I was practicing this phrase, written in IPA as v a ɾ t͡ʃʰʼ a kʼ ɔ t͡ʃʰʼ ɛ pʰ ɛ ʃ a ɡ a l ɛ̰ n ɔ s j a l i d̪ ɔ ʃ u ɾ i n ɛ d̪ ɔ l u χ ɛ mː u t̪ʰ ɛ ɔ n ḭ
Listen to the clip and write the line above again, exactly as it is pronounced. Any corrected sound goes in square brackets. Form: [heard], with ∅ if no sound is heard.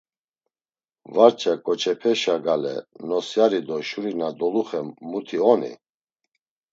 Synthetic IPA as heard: v a ɾ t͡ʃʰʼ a kʼ ɔ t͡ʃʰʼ ɛ pʰ ɛ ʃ a ɡ a l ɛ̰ n ɔ s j a [ɾ] i d̪ ɔ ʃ u ɾ i n [a] d̪ ɔ l u χ ɛ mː u t̪ʰ [i] ɔ n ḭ